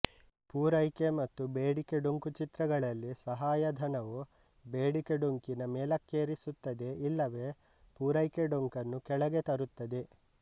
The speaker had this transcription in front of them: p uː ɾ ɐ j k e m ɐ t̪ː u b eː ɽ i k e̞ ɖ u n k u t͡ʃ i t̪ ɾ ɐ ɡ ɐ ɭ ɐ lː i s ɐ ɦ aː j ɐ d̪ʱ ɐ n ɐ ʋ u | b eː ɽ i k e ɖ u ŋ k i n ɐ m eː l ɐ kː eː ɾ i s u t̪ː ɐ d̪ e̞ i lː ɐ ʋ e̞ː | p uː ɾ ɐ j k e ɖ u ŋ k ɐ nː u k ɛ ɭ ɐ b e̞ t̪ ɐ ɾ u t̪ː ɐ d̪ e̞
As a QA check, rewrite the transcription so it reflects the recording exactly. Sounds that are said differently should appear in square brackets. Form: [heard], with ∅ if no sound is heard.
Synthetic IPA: p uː ɾ ɐ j k e m ɐ t̪ː u b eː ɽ i k e̞ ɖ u [ŋ] k u t͡ʃ i t̪ ɾ ɐ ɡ ɐ ɭ ɐ lː i s ɐ ɦ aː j ɐ d̪ʱ ɐ n ɐ ʋ u | b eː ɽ i k e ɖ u ŋ k i n ɐ m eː l ɐ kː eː ɾ i s u t̪ː ɐ d̪ e̞ i lː ɐ ʋ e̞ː | p uː ɾ ɐ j k e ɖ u ŋ k ɐ nː u k ɛ ɭ ɐ [ɡ] e̞ t̪ ɐ ɾ u t̪ː ɐ d̪ e̞